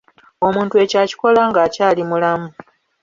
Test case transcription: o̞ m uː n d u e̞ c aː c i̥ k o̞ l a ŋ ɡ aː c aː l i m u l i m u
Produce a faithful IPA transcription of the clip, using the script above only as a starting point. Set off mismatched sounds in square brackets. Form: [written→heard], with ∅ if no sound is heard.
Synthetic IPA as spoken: o̞ m uː n [d→t] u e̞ c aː c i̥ k o̞ l a ŋ ɡ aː c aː l i m u l [i→a] m u